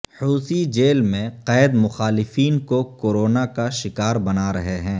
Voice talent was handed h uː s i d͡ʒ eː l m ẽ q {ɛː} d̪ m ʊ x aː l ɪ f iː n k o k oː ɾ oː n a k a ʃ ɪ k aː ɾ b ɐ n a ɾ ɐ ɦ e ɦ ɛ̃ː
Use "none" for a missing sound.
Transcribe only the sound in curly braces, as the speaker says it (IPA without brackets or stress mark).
ɛː